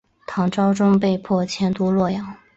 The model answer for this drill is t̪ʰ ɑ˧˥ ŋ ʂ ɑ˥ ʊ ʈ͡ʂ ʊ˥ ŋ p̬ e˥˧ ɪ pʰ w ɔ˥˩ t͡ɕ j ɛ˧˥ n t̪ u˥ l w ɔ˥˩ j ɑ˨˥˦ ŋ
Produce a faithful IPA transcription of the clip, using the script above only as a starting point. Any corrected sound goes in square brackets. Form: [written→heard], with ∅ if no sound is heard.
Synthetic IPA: t̪ʰ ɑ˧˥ ŋ [ʂ→ʈ͡ʂ] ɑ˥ ʊ ʈ͡ʂ ʊ˥ ŋ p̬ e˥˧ ɪ pʰ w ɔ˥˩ [t͡ɕ→t͡ɕʰ] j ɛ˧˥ n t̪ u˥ l w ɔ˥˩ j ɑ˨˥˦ ŋ